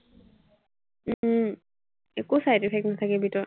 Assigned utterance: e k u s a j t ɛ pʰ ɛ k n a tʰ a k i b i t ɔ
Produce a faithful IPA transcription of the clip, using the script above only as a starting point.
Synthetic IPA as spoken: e k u s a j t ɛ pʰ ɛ k n a tʰ a k ɛ b i t ɔ